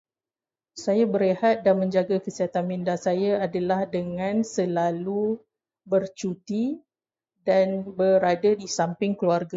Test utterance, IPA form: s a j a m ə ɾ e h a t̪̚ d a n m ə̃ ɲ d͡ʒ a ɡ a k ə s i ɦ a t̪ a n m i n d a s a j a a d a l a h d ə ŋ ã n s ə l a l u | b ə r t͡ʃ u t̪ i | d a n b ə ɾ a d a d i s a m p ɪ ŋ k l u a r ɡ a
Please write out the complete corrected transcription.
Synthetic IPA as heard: s a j a b ə ɾ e h a t̪̚ d a n m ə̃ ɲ d͡ʒ a ɡ a k ə s i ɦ a t̪ a n m i n d a s a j a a d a l a h d ə ŋ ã n s ə l a l u | b ə r t͡ʃ u t̪ i | d a n b ə ɾ a d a d i s a m p ɪ ŋ k l u a r ɡ a